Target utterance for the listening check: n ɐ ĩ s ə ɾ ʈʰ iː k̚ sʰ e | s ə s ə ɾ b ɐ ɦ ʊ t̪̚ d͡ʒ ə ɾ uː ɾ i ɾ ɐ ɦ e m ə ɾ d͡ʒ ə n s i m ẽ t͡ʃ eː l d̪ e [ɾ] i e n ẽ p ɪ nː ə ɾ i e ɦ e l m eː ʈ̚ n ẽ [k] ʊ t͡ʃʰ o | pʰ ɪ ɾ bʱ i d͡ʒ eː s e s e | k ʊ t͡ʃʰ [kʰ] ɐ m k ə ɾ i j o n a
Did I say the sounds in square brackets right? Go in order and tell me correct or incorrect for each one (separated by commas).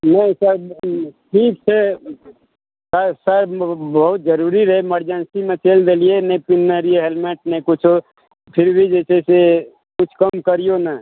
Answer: incorrect, correct, incorrect